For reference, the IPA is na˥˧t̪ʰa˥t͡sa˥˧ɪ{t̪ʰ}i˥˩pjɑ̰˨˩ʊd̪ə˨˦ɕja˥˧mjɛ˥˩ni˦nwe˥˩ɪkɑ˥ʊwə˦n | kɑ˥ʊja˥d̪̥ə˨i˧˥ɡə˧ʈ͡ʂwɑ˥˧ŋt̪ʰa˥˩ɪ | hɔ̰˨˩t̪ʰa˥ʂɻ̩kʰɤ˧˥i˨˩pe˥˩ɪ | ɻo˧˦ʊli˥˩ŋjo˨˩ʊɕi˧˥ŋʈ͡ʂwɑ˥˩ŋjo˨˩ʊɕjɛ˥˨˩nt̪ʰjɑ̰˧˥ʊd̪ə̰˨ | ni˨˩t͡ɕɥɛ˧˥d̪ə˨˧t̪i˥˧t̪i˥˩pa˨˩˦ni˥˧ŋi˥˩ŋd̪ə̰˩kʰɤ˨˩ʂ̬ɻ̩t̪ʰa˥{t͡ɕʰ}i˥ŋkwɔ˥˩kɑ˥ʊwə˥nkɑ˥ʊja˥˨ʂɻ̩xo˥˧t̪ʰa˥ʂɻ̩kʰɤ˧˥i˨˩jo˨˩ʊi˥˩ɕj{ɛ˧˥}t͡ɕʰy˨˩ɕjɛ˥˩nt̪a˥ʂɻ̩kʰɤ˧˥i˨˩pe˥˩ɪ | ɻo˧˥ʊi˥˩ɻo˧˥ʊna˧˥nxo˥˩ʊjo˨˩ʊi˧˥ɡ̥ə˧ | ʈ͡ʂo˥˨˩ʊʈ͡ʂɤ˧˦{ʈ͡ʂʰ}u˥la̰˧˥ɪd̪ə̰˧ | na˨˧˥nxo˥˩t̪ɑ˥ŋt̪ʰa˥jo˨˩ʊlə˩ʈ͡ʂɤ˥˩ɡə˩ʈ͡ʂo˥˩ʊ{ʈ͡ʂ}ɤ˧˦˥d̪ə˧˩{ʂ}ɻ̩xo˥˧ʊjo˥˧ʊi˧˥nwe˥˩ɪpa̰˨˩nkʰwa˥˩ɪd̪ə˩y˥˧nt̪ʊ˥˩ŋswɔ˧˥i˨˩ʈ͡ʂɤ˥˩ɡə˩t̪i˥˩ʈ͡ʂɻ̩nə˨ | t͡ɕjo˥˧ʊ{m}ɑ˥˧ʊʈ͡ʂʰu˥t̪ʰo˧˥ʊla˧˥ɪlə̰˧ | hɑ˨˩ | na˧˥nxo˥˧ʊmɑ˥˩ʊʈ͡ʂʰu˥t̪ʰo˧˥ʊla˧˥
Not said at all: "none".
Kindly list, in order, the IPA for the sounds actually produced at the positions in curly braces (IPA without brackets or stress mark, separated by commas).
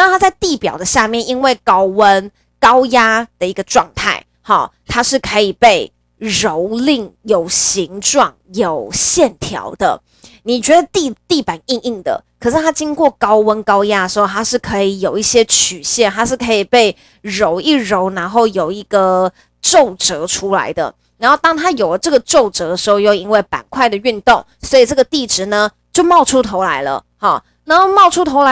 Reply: t̪, t͡ɕ, ɛ˥, ʈ͡ʂʰ, ʈ͡ʂ, ʂ, m